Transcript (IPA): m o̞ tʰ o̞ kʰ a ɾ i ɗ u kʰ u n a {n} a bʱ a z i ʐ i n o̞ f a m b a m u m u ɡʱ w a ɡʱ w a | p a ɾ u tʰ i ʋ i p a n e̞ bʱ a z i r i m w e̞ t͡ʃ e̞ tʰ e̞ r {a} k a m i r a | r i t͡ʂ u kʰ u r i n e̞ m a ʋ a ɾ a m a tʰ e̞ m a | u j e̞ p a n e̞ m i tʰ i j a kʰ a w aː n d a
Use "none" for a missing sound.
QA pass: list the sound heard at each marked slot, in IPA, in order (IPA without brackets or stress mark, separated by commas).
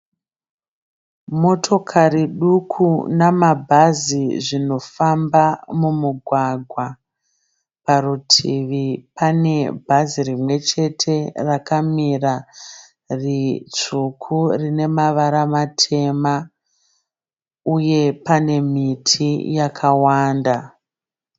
m, a